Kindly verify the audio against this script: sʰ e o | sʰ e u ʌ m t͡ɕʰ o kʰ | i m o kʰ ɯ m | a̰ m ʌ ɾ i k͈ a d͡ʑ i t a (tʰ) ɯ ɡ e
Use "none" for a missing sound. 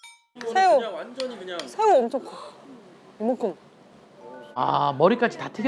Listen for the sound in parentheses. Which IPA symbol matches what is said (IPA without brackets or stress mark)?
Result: tʰ